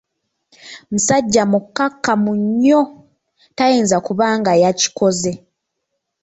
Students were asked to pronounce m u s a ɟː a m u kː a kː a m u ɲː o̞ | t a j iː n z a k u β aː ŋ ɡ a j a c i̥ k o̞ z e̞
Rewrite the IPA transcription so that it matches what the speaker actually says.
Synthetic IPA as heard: m u s a ɟː a m u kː a kː a m u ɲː o̞ | t a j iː n z a k u β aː ŋ ɡ a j a c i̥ k o̞ z e̞